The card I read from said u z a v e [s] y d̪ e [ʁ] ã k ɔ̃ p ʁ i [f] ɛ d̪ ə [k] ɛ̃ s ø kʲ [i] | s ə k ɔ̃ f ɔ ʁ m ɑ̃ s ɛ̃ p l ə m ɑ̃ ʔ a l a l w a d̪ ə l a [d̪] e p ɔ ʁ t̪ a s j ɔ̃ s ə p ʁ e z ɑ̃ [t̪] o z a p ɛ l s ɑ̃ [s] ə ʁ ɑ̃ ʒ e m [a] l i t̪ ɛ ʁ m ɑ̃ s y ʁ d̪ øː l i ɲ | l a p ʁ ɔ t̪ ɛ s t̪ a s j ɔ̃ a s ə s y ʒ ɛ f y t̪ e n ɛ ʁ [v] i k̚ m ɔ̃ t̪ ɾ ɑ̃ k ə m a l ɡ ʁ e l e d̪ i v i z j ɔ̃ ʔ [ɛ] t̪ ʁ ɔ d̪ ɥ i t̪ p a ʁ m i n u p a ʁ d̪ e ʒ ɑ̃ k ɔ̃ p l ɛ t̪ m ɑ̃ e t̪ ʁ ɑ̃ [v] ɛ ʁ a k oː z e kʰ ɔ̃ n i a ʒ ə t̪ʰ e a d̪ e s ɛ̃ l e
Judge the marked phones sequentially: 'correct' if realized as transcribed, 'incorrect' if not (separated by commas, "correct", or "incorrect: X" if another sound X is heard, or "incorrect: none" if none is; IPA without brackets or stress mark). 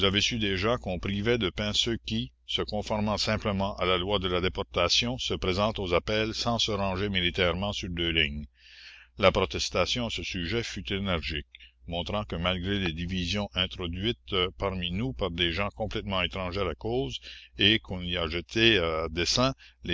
correct, incorrect: ʒ, incorrect: v, incorrect: p, correct, correct, correct, correct, incorrect: i, incorrect: ʒ, incorrect: ɛ̃, incorrect: ʒ